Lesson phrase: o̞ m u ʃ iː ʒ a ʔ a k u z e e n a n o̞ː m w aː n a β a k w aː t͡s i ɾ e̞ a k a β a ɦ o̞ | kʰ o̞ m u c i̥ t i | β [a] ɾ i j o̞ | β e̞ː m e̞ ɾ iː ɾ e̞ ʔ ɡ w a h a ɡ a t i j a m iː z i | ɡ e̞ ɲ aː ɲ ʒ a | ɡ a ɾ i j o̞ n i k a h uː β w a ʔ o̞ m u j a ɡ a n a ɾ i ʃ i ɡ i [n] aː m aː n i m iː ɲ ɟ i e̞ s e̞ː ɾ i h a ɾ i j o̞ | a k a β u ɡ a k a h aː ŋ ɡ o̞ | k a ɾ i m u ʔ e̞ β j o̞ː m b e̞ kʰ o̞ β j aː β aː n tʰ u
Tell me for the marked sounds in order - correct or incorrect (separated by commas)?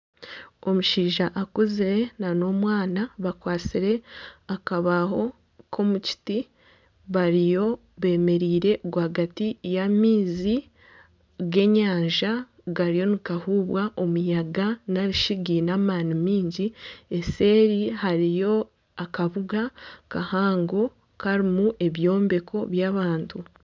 correct, correct